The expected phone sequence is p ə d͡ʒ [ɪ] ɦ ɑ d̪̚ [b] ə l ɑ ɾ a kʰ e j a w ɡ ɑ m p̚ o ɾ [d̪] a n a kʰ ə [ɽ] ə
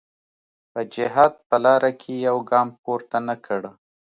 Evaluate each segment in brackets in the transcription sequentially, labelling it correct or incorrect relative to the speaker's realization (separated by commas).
correct, incorrect, incorrect, correct